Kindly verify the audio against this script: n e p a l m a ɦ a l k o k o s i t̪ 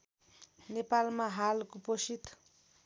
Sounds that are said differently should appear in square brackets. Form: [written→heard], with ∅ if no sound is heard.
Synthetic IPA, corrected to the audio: n e p a l m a ɦ a l k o [k→p] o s i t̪